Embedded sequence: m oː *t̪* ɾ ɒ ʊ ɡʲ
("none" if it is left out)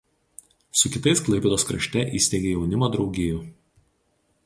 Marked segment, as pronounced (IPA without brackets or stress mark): d̪